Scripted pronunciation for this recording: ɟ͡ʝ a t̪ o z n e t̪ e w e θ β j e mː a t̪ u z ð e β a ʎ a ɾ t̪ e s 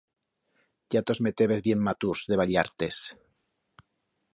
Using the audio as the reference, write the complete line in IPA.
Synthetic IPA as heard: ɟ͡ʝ a t̪ o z m e t̪ e β e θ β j e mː a t̪ u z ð e β a ʎ a ɾ t̪ e s